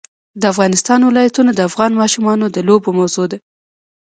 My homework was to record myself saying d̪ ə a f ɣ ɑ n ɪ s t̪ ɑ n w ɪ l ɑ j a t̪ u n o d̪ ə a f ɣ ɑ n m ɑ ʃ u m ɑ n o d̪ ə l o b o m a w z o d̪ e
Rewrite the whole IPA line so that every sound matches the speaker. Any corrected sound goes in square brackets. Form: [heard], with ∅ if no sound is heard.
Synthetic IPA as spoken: d̪ ə a f ɣ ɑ n ɪ s t̪ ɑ n w ɪ l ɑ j a t̪ u n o d̪ ə a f ɣ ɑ n m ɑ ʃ u m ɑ n o d̪ ə l o b o m a w z o d̪ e